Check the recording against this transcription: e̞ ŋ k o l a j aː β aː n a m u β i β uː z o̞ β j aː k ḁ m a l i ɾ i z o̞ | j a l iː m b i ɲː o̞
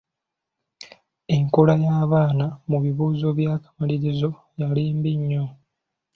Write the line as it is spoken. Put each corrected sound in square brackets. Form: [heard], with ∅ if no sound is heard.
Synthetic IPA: e̞ ŋ k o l a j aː β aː n a m u β i β uː z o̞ β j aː k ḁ m a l i ɾ i z o̞ | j a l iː m b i ɲː o̞